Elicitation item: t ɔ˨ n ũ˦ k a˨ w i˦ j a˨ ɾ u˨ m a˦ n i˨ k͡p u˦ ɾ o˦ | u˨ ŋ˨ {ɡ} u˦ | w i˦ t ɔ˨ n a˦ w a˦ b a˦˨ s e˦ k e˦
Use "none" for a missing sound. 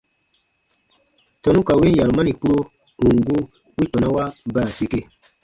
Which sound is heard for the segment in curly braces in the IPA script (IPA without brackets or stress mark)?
ɡ